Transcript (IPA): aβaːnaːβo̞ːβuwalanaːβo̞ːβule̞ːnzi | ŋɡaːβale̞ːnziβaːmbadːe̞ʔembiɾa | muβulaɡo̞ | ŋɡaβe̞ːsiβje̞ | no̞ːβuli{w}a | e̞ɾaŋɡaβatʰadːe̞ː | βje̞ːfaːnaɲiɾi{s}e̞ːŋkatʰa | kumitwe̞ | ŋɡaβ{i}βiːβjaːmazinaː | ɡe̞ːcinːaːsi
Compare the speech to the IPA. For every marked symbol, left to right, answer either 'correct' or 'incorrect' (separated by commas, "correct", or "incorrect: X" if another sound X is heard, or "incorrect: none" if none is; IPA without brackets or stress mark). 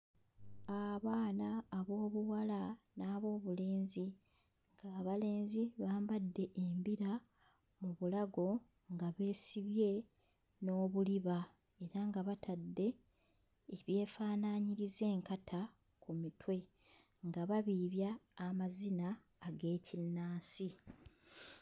incorrect: β, incorrect: z, incorrect: a